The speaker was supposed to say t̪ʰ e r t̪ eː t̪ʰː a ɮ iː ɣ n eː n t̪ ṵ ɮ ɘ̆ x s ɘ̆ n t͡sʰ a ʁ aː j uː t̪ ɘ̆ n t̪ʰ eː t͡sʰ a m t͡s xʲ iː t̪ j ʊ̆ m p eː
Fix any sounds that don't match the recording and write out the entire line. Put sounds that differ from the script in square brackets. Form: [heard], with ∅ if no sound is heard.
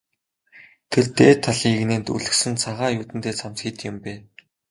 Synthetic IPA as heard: t̪ʰ e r t̪ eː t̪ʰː a ɮ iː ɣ n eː n t̪ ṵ ɮ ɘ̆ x s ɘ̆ n t͡sʰ a ʁ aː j uː t̪ ɘ̆ n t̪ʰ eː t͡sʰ a m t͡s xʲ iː t̪ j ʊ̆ m p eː

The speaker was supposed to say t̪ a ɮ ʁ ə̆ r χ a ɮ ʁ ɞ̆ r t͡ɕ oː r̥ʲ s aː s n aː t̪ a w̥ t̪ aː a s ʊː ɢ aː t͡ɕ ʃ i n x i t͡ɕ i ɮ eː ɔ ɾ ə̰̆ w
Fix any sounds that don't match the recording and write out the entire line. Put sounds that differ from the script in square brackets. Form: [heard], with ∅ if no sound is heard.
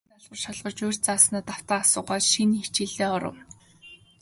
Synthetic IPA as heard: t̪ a ɮ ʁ ə̆ r [ʃ] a ɮ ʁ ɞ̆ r t͡ɕ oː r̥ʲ [t͡s] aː s n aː t̪ a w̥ t̪ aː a s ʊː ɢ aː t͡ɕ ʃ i n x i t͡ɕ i ɮ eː ɔ ɾ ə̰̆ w

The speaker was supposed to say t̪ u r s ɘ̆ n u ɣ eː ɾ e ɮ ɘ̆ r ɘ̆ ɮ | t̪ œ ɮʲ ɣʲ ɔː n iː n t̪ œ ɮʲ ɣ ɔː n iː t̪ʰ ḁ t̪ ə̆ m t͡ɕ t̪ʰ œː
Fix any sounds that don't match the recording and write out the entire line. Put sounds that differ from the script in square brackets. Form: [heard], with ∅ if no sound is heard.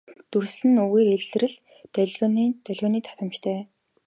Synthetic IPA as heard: t̪ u r s ɘ̆ n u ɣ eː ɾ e ɮ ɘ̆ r ɘ̆ ɮ | t̪ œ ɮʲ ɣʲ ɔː n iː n t̪ œ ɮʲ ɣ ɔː n iː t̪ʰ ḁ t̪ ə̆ m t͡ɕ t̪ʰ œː

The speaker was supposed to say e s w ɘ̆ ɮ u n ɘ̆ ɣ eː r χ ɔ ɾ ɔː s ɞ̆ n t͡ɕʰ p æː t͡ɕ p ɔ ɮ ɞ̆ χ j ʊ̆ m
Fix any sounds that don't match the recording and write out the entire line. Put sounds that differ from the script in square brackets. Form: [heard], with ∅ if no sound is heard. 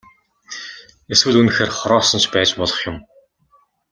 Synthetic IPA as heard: e s w ɘ̆ ɮ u n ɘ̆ [x] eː r χ ɔ ɾ ɔː s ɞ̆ n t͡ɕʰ p æː t͡ɕ p ɔ ɮ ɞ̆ χ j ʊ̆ m

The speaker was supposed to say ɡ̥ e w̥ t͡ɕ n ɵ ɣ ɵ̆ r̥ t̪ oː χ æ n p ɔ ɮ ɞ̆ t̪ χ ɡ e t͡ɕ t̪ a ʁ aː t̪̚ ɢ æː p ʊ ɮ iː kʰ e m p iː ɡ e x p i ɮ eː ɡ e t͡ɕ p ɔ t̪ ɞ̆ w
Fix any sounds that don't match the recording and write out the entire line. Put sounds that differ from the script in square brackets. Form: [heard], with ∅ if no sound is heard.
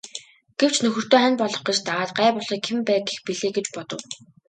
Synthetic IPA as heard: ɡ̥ e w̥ t͡ɕ n ɵ [x] ɵ̆ r̥ t̪ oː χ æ n p ɔ ɮ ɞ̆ [∅] χ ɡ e t͡ɕ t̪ a ʁ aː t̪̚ ɢ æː p ʊ ɮ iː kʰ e m p [æː] ɡ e x p i ɮ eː ɡ e t͡ɕ p ɔ t̪ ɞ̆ w

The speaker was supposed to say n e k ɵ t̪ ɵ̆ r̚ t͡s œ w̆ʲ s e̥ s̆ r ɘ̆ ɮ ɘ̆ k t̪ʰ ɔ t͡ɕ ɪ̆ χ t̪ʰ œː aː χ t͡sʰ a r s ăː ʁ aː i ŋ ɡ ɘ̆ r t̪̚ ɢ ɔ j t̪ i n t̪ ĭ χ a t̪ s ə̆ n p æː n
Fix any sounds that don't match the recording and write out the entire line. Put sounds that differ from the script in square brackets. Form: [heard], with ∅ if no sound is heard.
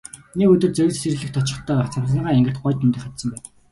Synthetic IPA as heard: n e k ɵ t̪ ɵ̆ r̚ t͡s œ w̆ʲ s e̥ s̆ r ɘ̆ ɮ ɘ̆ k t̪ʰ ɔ t͡ɕ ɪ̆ χ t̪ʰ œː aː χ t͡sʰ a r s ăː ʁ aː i ŋ ɡ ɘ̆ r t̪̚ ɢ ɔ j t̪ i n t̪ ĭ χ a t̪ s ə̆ [m] p æː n

